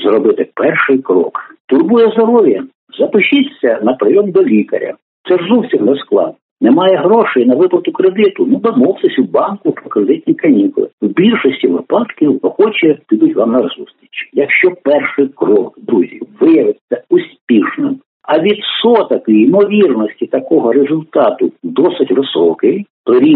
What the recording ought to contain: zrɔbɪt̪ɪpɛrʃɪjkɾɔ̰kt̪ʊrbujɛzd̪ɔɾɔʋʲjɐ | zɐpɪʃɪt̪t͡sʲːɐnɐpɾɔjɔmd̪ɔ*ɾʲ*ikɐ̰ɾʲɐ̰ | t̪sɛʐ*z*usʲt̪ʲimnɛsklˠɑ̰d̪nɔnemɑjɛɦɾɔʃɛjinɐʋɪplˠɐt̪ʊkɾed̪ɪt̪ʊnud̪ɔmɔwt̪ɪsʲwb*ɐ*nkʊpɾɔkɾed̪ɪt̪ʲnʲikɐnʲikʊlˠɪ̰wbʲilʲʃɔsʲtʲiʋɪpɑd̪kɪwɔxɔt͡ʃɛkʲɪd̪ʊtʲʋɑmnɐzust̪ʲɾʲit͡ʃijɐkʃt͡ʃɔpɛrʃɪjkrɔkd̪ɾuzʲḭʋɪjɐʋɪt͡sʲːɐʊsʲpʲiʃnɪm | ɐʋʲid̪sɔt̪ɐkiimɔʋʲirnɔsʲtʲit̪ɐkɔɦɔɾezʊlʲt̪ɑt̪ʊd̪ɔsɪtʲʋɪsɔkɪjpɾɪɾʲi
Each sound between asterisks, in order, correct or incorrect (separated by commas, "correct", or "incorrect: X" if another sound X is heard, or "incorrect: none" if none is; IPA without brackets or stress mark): incorrect: lʲ, correct, incorrect: ɑ